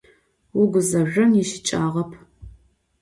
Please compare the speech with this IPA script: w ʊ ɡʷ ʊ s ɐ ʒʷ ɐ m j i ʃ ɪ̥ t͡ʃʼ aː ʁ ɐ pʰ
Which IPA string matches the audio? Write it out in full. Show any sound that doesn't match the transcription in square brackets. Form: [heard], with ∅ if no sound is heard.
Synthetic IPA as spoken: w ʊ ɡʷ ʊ [z] ɐ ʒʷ ɐ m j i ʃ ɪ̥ t͡ʃʼ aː ʁ ɐ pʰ